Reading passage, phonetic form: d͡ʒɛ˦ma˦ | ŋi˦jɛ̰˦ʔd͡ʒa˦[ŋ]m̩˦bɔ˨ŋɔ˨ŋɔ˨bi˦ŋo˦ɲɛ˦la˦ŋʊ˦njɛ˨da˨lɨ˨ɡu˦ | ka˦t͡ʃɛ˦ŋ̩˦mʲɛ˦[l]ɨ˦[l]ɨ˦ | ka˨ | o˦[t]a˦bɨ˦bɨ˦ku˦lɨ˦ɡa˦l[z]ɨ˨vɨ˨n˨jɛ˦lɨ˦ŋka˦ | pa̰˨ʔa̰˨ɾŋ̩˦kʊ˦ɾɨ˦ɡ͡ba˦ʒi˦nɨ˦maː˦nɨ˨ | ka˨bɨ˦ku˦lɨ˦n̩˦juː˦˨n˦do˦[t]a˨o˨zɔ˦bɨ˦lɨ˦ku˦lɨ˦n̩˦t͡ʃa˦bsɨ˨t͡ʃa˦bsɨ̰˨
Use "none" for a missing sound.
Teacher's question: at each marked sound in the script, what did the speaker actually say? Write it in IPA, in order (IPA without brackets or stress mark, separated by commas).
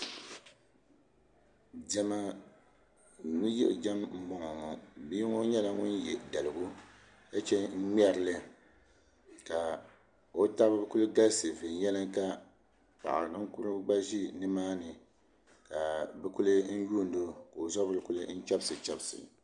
m, ɾ, l, t, s, k